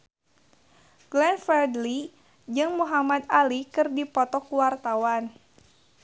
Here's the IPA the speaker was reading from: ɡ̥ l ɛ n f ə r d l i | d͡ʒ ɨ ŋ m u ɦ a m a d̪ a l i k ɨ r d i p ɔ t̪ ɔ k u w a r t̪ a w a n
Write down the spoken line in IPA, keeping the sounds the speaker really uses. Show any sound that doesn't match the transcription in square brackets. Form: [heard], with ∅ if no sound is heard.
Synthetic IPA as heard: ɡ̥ l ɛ n f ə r d l i | d͡ʒ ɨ ŋ m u ɦ a m a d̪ a l i k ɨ r d i p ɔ t̪ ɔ k u w a r t̪ a w a n